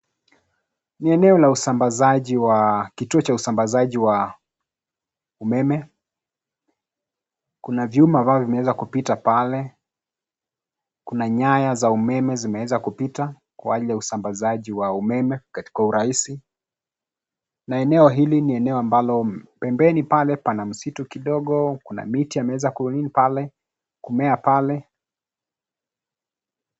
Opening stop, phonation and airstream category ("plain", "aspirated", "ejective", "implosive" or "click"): plain